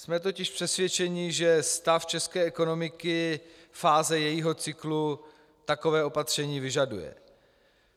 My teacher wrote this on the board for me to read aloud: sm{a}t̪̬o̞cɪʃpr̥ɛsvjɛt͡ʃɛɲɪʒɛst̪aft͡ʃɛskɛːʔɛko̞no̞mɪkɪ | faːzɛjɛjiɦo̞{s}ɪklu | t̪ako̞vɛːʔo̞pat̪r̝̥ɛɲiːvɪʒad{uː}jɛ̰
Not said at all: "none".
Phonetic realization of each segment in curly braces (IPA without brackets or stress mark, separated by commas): ɛ, t͡s, u